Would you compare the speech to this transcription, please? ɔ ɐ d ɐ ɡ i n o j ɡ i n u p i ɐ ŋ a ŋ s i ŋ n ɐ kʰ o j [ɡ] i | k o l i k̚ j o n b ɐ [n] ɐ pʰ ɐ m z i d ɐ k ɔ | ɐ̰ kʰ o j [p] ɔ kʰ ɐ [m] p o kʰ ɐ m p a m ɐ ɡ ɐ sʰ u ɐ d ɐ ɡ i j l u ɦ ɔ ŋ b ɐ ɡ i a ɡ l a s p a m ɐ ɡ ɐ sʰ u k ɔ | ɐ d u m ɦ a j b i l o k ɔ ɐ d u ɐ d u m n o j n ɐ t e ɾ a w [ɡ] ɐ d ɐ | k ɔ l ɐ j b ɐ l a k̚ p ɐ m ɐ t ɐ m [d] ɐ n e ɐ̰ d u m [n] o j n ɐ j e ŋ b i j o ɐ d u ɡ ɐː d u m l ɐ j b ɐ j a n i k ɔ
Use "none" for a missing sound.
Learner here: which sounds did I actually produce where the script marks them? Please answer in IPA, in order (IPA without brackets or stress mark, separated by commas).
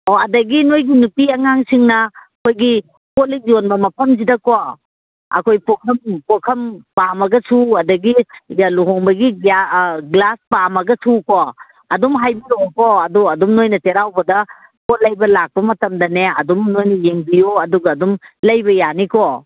ɡ, m, p, m, b, d, n